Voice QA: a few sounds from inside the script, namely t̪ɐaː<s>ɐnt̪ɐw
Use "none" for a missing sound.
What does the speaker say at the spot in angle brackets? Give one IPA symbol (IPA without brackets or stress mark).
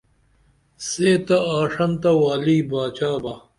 ʂ